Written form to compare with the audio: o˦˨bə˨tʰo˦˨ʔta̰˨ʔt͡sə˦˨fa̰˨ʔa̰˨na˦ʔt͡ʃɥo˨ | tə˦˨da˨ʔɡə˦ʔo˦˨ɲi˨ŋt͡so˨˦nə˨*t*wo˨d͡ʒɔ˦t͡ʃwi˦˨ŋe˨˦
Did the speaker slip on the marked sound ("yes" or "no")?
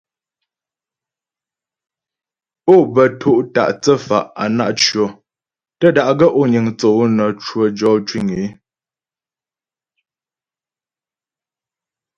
yes